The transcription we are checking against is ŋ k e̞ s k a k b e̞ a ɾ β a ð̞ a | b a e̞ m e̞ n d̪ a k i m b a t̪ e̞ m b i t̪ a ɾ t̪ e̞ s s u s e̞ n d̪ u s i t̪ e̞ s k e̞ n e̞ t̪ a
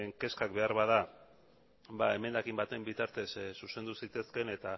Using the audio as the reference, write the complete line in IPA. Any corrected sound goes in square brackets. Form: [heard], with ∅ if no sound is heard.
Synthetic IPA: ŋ k e̞ s k a k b e̞ a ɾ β a ð̞ a | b a e̞ m e̞ n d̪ a k i m b a t̪ e̞ m b i t̪ a ɾ t̪ e̞ s s u s e̞ n d̪ u s i t̪ e̞ s k e̞ n e̞ t̪ a

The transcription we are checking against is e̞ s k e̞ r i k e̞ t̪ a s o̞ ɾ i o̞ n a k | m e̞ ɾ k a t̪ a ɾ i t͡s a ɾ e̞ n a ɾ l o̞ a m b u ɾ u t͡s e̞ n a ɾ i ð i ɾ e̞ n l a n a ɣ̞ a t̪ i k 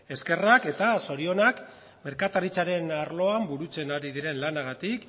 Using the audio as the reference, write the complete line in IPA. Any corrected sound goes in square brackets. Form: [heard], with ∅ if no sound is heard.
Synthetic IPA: e̞ s k e̞ r [a] k e̞ t̪ a s o̞ ɾ i o̞ n a k | m e̞ ɾ k a t̪ a ɾ i t͡s a ɾ e̞ n a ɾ l o̞ a m b u ɾ u t͡s e̞ n a ɾ i ð i ɾ e̞ n l a n a ɣ̞ a t̪ i k

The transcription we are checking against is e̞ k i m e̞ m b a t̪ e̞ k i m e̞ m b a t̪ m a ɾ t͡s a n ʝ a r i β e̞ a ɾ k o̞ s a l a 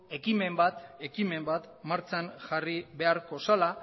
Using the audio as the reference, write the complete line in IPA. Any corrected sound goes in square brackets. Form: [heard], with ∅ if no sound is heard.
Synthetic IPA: e̞ k i m e̞ m b a t̪ e̞ k i m e̞ m b a t̪ m a ɾ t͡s a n ʝ a r i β e̞ a ɾ k o̞ s a l a

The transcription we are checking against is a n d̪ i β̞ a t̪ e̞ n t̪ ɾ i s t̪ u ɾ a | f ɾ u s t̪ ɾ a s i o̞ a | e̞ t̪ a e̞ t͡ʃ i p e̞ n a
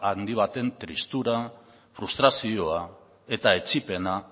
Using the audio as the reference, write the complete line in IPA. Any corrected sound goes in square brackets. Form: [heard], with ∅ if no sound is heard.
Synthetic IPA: a n d̪ i β̞ a t̪ e̞ n t̪ ɾ i s t̪ u ɾ a | f ɾ u s t̪ ɾ a s i o̞ a | e̞ t̪ a e̞ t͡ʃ i p e̞ n a

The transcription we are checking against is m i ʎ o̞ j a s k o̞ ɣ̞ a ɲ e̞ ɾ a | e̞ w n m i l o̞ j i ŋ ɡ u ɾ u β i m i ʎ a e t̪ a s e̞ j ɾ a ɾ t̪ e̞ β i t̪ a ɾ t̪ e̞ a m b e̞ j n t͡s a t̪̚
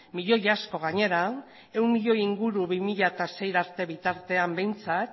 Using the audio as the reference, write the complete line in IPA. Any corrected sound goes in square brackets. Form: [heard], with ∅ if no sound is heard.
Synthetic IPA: m i ʎ o̞ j a s k o̞ ɣ̞ a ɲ e̞ ɾ a | e̞ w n m i [ʎ] o̞ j i ŋ ɡ u ɾ u β i m i ʎ a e t̪ a s e̞ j ɾ a ɾ t̪ e̞ β i t̪ a ɾ t̪ e̞ a m b e̞ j n t͡s a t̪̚

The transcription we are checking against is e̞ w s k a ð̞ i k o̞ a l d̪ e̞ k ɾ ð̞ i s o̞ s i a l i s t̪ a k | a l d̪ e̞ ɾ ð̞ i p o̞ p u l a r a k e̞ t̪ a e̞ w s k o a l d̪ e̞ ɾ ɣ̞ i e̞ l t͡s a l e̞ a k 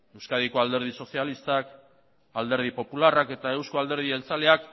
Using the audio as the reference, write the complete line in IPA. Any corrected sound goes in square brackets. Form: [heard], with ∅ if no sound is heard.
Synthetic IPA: e̞ w s k a ð̞ i k o̞ a l d̪ e̞ [∅] ɾ ð̞ i s o̞ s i a l i s t̪ a k | a l d̪ e̞ ɾ ð̞ i p o̞ p u l a r a k e̞ t̪ a e̞ w s k o a l d̪ e̞ ɾ [ð̞] i e̞ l t͡s a l e̞ a k

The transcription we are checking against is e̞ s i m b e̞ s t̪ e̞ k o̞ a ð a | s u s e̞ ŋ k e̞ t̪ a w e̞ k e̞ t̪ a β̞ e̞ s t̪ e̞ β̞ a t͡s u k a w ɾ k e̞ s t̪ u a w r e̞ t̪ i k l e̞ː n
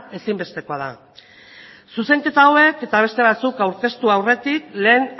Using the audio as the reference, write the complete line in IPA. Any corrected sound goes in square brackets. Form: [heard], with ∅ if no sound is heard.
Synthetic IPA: e̞ s i m b e̞ s t̪ e̞ k o̞ a ð a | s u s e̞ ŋ k e̞ t̪ a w e̞ k e̞ t̪ a β̞ e̞ s t̪ e̞ β̞ a t͡s u k a w ɾ k e̞ s t̪ u a w r e̞ t̪ i k l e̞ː n

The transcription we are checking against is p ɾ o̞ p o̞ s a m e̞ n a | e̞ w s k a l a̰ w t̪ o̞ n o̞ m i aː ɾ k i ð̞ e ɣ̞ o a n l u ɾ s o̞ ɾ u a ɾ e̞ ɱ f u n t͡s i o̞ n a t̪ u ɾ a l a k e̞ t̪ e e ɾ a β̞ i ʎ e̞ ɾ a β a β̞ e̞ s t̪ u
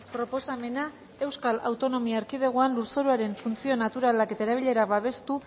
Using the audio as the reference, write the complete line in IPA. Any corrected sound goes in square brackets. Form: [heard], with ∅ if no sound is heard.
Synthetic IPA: p ɾ o̞ p o̞ s a m e̞ n a | e̞ w s k a l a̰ w t̪ o̞ n o̞ m i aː ɾ k i ð̞ e ɣ̞ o a n l u ɾ s o̞ ɾ u a ɾ e̞ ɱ f u n t͡s i o̞ n a t̪ u ɾ a l a k e̞ t̪ [a] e ɾ a β̞ i ʎ e̞ ɾ a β a β̞ e̞ s t̪ u

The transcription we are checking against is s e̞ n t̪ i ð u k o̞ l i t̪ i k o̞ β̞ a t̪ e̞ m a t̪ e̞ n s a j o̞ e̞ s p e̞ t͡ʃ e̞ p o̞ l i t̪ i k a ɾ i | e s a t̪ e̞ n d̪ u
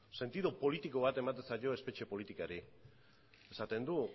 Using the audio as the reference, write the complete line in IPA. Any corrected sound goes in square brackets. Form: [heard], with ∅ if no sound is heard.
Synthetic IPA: s e̞ n t̪ i ð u [p] o̞ l i t̪ i k o̞ β̞ a t̪ e̞ m a t̪ e̞ n s a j o̞ e̞ s p e̞ t͡ʃ e̞ p o̞ l i t̪ i k a ɾ i | e s a t̪ e̞ n d̪ u

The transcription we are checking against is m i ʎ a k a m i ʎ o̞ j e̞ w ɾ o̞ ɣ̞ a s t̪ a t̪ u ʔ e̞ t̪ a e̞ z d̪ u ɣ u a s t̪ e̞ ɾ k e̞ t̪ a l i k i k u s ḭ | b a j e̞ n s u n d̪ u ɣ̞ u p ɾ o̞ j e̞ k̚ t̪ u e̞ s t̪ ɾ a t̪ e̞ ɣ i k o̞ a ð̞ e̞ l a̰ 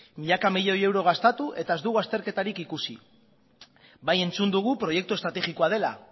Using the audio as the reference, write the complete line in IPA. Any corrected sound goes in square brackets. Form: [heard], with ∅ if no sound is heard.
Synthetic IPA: m i ʎ a k a m i ʎ o̞ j e̞ w ɾ o̞ ɣ̞ a s t̪ a t̪ u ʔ e̞ t̪ a e̞ z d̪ u ɣ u a s t̪ e̞ ɾ k e̞ t̪ a [ɾ] i k i k u s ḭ | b a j e̞ n [t͡s] u n d̪ u ɣ̞ u p ɾ o̞ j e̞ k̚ t̪ u e̞ s t̪ ɾ a t̪ e̞ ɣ i k o̞ a ð̞ e̞ l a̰

